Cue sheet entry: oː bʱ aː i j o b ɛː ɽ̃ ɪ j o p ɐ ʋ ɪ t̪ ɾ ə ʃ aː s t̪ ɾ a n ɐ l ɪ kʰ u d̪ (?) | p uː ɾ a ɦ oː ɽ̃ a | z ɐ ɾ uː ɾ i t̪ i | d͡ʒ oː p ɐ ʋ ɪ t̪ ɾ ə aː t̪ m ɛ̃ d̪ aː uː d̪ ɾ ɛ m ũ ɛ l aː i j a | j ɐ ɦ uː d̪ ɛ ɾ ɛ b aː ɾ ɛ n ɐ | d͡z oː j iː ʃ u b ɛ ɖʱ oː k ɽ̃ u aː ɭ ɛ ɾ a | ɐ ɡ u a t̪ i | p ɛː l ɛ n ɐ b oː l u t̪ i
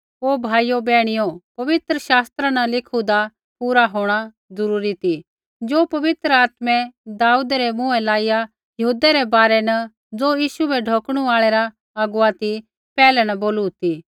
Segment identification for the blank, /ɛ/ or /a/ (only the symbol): a